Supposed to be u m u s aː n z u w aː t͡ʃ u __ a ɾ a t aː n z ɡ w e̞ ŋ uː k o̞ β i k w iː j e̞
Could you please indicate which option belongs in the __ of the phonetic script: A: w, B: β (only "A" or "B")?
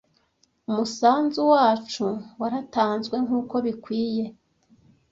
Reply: A